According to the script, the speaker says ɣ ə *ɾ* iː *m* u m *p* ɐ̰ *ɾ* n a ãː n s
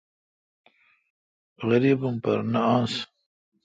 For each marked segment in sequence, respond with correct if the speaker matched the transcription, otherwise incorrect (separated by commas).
correct, incorrect, correct, correct